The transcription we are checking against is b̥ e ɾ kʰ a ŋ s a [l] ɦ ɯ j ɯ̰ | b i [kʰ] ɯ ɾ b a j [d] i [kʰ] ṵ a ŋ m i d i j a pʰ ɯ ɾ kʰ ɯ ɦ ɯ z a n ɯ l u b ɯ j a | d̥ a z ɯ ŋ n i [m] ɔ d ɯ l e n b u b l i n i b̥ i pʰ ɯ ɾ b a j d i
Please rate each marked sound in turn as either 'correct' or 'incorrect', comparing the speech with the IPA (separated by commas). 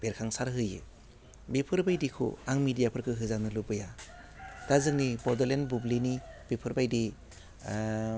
incorrect, incorrect, correct, correct, incorrect